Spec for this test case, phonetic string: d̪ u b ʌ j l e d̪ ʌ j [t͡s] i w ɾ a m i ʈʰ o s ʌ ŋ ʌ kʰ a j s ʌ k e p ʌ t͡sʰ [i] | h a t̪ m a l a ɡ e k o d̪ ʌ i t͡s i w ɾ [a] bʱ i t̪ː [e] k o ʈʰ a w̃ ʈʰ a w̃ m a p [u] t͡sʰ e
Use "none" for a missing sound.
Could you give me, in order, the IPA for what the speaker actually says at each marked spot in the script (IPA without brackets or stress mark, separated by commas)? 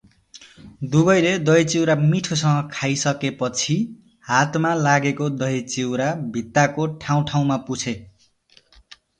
t͡s, i, a, a, u